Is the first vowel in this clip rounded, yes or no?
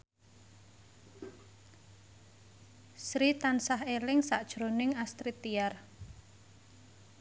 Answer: no